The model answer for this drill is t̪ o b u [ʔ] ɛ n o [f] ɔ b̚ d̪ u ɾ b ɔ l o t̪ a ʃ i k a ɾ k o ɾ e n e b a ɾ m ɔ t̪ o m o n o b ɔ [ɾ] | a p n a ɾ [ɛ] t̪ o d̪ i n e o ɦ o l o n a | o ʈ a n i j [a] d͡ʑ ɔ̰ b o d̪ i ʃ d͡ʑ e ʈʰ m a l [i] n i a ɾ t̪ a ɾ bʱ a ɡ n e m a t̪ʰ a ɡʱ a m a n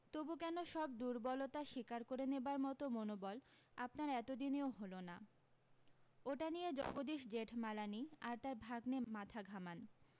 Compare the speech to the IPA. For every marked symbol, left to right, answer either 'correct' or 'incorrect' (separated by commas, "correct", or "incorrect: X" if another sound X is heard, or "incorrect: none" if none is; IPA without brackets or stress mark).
incorrect: k, incorrect: ʃ, incorrect: l, correct, incorrect: e, incorrect: a